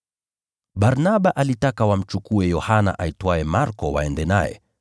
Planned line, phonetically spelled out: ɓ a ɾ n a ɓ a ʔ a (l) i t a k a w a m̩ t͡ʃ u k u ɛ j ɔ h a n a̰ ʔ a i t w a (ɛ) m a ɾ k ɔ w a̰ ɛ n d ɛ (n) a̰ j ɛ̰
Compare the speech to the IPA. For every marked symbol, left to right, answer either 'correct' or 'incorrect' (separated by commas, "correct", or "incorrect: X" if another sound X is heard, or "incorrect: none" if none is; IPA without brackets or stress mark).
correct, correct, correct